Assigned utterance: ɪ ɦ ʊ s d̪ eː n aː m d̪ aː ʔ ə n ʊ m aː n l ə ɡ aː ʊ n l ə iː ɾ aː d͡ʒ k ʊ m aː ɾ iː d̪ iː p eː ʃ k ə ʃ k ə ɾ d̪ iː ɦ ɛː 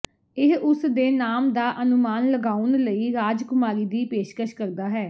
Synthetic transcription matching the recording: ɪ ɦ ʊ s d̪ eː n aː m d̪ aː ʔ ə n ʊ m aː n l ə ɡ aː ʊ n l ə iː ɾ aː d͡ʒ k ʊ m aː ɾ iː d̪ iː p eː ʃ k ə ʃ k ə ɾ d̪ aː ɦ ɛː